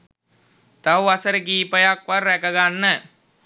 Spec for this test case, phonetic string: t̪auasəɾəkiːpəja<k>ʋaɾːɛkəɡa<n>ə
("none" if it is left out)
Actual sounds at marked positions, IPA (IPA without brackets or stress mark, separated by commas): k, nː